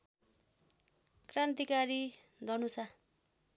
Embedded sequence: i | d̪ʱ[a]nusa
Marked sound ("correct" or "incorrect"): incorrect